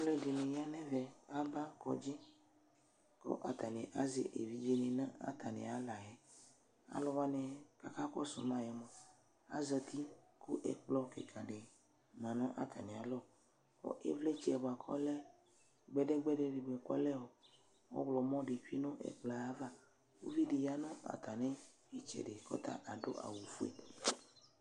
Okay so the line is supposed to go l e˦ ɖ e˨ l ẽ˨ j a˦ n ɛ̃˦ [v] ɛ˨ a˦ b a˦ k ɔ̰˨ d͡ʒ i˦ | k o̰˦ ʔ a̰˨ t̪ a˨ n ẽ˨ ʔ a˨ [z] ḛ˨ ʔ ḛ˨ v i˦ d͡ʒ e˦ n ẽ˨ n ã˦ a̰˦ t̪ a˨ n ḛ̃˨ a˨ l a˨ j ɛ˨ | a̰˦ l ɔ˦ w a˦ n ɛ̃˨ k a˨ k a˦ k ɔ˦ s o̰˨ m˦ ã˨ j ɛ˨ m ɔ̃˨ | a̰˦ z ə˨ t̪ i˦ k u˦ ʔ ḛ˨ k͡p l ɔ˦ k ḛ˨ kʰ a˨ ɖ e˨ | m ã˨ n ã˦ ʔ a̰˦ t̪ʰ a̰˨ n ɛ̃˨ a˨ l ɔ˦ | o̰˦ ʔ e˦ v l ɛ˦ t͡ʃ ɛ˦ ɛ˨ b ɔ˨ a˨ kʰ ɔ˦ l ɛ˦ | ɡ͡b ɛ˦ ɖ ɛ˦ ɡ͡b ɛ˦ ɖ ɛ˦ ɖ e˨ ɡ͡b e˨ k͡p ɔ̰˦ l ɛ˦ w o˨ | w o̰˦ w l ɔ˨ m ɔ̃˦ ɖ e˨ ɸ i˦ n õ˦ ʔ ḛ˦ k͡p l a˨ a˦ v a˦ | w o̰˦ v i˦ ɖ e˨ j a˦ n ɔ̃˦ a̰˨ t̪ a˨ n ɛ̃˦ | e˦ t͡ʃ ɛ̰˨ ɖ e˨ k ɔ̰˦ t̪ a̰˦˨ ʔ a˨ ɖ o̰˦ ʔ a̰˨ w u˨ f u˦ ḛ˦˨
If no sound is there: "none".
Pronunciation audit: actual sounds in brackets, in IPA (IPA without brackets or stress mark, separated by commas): v, z